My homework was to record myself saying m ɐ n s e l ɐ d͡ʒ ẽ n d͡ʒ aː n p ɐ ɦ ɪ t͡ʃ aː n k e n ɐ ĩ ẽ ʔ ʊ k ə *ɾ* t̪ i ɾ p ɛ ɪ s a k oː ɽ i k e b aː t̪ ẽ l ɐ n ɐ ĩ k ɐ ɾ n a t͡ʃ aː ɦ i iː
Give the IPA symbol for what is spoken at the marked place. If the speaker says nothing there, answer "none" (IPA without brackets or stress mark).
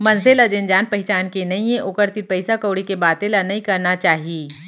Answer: ɾ